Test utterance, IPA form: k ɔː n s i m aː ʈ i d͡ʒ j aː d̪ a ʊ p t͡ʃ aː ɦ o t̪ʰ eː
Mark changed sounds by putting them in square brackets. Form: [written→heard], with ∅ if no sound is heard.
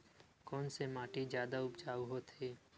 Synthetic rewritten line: k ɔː n s [i→e] m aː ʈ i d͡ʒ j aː d̪ a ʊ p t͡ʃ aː ɦ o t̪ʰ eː